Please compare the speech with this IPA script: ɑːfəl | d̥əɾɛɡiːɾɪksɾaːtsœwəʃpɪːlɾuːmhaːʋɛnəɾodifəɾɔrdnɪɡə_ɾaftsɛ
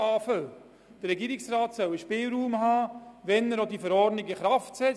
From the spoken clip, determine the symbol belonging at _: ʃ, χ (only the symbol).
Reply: χ